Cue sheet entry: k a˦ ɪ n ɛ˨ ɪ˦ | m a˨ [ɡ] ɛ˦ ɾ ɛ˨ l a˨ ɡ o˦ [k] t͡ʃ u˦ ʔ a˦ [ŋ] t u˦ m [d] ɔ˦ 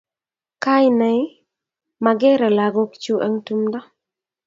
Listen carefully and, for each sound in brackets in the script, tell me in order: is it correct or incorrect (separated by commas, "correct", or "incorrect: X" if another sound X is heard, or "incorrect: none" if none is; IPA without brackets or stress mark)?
correct, correct, correct, correct